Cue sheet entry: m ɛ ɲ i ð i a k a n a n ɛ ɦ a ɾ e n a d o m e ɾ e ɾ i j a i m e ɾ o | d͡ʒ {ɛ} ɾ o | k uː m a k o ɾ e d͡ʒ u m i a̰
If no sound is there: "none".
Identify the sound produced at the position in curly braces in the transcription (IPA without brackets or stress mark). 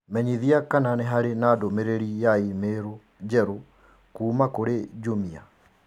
ɛ